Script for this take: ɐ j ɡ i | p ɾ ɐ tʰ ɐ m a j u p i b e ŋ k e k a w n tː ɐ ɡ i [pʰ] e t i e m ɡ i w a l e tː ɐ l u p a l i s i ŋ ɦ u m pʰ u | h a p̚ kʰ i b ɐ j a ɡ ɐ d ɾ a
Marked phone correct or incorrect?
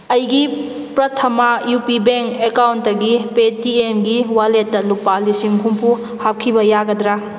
incorrect: p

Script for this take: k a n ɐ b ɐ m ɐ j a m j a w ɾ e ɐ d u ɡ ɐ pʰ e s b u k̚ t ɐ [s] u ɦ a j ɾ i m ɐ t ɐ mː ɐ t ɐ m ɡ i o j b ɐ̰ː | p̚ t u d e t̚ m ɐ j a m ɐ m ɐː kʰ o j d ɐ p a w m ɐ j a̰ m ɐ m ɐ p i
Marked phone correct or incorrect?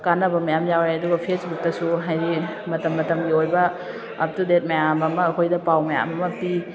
correct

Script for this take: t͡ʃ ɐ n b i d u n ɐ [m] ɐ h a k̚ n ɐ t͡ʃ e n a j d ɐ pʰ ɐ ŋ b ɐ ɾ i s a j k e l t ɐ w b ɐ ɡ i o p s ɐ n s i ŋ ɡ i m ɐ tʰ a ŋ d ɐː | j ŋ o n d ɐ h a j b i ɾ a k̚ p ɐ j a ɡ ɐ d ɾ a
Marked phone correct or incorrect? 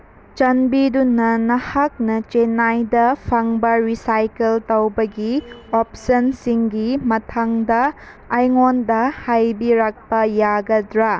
incorrect: n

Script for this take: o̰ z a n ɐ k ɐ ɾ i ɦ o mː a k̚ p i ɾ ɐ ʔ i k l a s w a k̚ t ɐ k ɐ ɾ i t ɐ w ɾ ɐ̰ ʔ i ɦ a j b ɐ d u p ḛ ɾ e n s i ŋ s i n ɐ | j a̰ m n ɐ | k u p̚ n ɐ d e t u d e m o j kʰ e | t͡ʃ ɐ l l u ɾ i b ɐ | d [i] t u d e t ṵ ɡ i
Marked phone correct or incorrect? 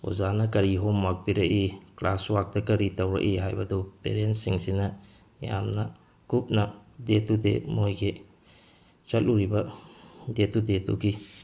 incorrect: e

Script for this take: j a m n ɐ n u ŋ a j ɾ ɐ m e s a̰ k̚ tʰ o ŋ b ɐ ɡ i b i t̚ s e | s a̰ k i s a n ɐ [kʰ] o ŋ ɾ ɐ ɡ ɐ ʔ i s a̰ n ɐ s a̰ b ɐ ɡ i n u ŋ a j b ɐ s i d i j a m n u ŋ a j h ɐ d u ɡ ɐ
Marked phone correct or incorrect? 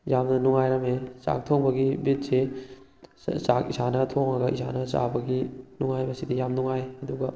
incorrect: tʰ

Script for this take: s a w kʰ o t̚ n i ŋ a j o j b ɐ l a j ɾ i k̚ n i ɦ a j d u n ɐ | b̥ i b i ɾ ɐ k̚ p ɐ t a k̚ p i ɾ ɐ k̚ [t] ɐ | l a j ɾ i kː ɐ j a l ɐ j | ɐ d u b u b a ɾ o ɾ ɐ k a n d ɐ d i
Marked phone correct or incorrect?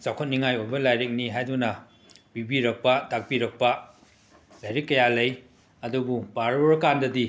incorrect: p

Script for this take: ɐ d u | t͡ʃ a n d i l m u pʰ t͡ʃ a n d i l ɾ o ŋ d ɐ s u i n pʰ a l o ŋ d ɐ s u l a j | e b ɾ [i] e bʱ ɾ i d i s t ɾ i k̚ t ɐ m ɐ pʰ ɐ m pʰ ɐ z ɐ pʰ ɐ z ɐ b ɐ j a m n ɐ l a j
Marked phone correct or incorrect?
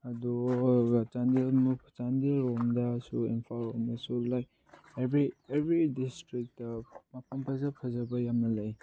correct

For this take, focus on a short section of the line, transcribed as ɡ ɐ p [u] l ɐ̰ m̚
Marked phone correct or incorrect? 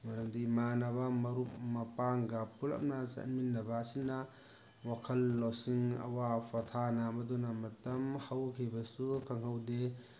correct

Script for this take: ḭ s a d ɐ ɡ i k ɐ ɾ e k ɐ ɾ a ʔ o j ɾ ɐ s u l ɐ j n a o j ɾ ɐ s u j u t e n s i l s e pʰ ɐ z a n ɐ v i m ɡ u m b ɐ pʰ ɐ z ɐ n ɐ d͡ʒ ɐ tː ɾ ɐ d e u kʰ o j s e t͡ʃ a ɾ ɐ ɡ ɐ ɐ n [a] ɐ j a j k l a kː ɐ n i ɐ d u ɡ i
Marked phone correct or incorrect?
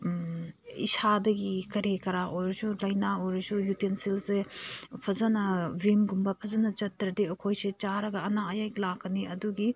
correct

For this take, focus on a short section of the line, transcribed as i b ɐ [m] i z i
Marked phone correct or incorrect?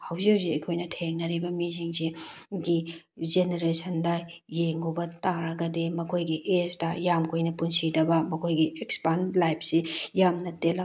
correct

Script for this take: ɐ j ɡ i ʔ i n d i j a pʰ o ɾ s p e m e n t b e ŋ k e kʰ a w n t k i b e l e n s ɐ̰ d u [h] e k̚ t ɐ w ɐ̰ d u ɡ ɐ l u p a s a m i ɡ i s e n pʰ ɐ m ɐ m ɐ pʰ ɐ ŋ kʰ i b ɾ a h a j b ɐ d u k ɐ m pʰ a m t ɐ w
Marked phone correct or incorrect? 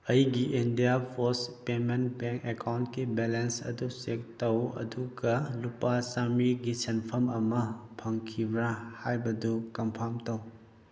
incorrect: s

